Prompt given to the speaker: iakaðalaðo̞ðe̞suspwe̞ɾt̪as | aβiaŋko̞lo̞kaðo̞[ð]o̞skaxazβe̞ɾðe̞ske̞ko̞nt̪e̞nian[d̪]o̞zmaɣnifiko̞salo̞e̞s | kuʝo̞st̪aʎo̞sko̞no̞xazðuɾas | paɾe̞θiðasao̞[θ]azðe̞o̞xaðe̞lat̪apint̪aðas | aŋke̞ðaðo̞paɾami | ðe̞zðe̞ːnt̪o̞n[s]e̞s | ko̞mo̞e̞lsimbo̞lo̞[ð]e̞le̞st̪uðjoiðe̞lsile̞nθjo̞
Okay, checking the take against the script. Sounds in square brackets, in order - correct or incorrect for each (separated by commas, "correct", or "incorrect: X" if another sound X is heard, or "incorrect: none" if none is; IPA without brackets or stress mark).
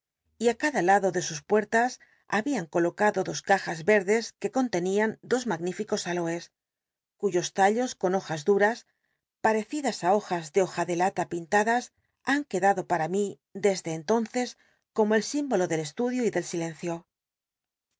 correct, correct, incorrect: x, incorrect: θ, correct